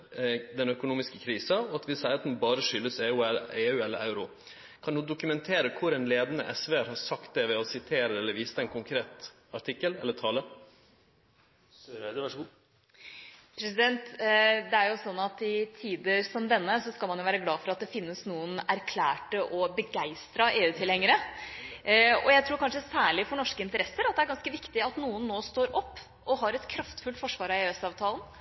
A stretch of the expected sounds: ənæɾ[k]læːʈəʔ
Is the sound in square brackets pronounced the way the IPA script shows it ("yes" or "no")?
no